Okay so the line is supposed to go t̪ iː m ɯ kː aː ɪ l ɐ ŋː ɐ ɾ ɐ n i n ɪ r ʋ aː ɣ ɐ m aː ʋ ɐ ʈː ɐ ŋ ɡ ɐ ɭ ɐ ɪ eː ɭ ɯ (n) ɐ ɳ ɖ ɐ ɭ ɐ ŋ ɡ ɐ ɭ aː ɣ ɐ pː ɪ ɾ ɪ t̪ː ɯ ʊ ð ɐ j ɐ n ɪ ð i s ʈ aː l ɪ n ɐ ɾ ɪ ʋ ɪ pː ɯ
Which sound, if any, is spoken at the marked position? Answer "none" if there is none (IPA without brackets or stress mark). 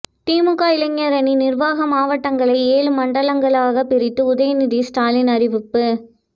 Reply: m